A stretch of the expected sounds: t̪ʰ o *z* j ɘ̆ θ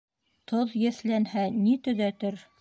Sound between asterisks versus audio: incorrect: ð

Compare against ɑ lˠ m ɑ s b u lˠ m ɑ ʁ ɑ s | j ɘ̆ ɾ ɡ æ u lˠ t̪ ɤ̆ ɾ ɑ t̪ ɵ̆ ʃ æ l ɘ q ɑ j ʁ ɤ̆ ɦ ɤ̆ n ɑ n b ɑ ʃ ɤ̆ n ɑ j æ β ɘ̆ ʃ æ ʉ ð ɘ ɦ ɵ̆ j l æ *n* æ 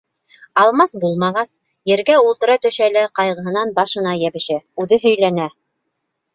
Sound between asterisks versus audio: correct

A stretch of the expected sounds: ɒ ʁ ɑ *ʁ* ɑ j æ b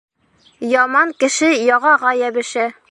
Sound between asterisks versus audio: correct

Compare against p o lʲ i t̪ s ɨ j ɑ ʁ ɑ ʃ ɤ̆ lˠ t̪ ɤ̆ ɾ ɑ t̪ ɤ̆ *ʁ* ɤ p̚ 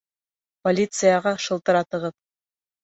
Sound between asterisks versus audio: correct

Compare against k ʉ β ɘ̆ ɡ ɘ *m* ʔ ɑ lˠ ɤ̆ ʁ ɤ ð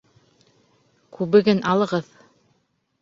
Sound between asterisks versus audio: incorrect: n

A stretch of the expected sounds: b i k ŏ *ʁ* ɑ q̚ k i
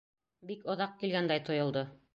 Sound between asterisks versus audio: incorrect: ð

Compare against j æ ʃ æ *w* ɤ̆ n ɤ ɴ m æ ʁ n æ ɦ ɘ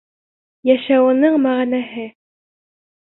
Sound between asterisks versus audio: correct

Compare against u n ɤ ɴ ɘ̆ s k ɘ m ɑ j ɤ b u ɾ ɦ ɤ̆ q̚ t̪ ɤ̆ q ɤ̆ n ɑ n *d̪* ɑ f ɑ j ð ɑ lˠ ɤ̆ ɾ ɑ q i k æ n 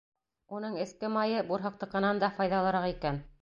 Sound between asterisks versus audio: correct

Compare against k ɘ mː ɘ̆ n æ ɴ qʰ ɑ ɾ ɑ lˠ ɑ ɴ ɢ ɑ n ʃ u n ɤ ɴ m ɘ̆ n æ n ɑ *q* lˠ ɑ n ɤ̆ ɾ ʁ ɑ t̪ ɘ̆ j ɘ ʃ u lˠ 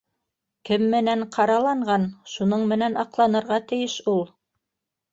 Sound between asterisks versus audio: correct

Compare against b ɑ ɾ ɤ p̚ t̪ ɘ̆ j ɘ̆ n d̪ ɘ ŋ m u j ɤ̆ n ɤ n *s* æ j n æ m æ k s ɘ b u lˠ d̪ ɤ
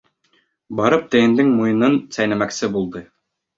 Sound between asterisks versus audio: correct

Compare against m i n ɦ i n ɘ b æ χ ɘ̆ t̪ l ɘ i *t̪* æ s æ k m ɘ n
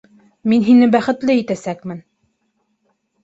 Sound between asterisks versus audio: correct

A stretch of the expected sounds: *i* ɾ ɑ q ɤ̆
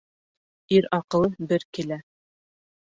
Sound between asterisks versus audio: correct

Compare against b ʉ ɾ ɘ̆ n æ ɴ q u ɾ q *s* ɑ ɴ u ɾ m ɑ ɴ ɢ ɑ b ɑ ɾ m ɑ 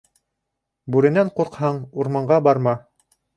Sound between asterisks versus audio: incorrect: h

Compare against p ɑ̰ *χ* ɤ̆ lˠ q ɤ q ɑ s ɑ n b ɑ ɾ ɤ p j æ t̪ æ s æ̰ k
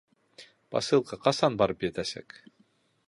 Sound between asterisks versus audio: incorrect: s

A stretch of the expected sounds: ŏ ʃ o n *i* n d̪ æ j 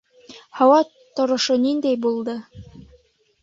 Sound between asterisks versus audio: correct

